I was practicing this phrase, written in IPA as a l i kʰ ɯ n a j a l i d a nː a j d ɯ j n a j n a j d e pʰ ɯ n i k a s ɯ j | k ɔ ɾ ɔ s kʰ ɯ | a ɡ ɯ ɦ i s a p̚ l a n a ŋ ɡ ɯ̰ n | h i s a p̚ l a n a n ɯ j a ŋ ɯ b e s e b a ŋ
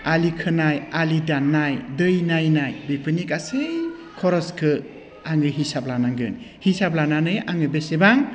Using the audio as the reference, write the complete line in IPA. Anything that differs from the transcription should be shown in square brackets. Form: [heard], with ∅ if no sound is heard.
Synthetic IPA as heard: a l i kʰ ɯ n a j a l i d a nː a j d ɯ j n a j n a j [b] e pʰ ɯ n i k a s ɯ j | [kʰ] ɔ ɾ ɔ s kʰ ɯ | a [ŋ] ɯ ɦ i s a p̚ l a n a ŋ ɡ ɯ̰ n | h i s a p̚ l a n a n ɯ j a ŋ ɯ b e s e b a ŋ

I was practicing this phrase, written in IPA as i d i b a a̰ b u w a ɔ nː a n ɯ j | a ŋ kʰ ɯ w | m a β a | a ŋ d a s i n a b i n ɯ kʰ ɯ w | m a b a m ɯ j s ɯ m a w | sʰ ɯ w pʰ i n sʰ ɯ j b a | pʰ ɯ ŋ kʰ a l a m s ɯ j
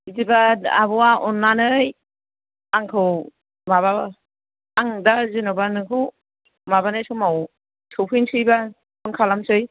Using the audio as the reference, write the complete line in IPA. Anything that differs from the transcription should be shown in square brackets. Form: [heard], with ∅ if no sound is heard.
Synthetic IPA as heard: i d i b a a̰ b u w a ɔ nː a n ɯ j | a ŋ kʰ ɯ w | m a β a | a ŋ d a [z] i n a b [a] n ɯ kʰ ɯ w | m a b a [n] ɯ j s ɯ m a w | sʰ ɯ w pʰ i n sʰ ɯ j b a | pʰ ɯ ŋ kʰ a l a m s ɯ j

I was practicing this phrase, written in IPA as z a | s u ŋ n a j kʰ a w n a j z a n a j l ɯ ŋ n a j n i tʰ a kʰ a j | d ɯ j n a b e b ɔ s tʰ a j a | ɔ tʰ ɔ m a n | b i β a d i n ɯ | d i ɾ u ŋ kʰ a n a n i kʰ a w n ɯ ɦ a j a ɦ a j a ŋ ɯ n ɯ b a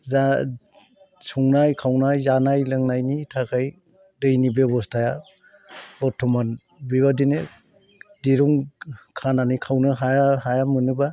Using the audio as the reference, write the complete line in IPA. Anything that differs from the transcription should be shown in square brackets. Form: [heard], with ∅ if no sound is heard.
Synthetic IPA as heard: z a | s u ŋ n a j kʰ a w n a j z a n a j l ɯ ŋ n a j n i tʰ a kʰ a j | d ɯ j n [i] b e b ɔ s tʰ a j a | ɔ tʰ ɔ m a n | b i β a d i n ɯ | d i ɾ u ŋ kʰ a n a n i kʰ a w n ɯ ɦ a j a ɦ a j a [m] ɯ n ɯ b a

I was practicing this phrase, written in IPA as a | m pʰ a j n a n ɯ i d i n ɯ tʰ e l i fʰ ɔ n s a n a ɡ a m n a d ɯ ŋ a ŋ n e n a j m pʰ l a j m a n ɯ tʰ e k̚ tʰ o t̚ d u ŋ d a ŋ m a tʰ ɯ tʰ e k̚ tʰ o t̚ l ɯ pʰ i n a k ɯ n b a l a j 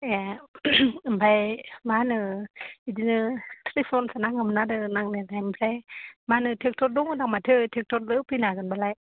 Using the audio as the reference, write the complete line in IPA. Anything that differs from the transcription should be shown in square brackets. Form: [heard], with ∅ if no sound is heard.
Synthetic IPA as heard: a | m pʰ a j [m] a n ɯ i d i n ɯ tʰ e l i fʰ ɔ n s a n a [ŋ] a m n a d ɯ [n] a ŋ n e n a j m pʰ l a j m a n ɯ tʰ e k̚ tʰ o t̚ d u ŋ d a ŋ m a tʰ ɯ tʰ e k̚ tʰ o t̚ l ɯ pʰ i n a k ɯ n b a l a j

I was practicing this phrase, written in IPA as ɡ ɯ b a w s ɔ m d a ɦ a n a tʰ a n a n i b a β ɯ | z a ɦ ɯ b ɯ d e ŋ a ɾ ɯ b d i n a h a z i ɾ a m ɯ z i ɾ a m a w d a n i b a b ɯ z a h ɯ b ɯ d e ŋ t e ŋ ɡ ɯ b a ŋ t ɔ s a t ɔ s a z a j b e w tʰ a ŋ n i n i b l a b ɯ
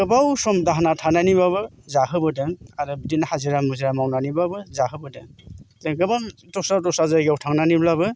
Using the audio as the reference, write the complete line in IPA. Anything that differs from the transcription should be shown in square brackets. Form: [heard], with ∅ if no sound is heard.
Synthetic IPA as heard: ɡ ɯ b a w s ɔ m d a ɦ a n a tʰ a n a n i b a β ɯ | z a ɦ ɯ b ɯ d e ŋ a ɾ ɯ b d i n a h a z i ɾ a m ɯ z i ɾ a m a w [n] a n i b a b ɯ z a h ɯ b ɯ d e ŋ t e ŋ ɡ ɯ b a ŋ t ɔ s a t ɔ s a z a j [ɡ] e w tʰ a ŋ n [a] n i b l a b ɯ

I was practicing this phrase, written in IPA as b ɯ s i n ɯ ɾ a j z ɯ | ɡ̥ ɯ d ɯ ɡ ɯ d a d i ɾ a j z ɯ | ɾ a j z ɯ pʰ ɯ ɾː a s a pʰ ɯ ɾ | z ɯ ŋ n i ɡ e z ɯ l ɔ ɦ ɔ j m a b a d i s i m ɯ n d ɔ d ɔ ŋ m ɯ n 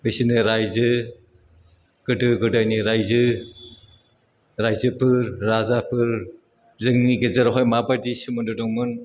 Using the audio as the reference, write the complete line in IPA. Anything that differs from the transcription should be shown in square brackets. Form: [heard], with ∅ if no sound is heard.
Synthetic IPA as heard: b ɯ s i n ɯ ɾ a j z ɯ | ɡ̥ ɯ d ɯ ɡ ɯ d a [n] i ɾ a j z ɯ | ɾ a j z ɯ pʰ ɯ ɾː a [z] a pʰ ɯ ɾ | z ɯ ŋ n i ɡ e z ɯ [ɾ] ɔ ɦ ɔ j m a b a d i s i m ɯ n d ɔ d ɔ ŋ m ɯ n

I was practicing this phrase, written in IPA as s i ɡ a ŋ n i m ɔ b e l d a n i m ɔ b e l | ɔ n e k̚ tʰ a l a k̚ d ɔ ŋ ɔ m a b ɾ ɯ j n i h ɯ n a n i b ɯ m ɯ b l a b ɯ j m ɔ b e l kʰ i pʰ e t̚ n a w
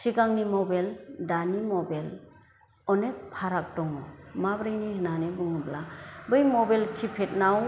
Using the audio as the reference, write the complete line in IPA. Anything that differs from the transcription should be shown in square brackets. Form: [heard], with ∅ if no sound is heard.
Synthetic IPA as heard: s i ɡ a ŋ n i m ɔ b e l d a n i m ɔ b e l | ɔ n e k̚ [pʰ] a [ɾ] a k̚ d ɔ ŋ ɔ m a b ɾ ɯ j n i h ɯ n a n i b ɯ [ŋ] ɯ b l a b ɯ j m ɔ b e l kʰ i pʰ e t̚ n a w

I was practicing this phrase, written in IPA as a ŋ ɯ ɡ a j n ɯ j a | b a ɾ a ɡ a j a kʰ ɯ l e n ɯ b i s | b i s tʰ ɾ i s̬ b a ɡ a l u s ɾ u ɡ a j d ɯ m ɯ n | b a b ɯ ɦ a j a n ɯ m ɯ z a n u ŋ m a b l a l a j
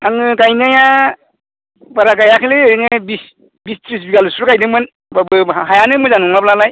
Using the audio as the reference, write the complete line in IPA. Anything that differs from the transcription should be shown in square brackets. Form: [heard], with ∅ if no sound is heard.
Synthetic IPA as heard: a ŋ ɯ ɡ a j n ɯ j a | b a ɾ a ɡ a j a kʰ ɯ l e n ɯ b i s | b i s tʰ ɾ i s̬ b [i] ɡ a l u s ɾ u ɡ a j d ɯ m ɯ n | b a b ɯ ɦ a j a n ɯ m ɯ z a n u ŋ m a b l a l a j

